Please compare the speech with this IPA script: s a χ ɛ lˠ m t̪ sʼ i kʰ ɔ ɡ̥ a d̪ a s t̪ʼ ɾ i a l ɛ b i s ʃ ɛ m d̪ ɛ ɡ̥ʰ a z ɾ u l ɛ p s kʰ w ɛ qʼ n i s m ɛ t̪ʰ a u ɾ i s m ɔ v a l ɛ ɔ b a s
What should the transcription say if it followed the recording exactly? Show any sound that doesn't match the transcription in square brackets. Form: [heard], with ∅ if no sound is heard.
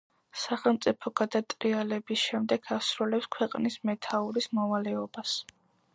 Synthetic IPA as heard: s a χ ɛ lˠ m t̪ sʼ i [pʰ] ɔ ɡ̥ a d̪ a [∅] t̪ʼ ɾ i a l ɛ b i s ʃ ɛ m d̪ ɛ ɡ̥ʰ a [s] ɾ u l ɛ p s kʰ w ɛ qʼ n i s m ɛ t̪ʰ a u ɾ i s m ɔ v a l ɛ ɔ b a s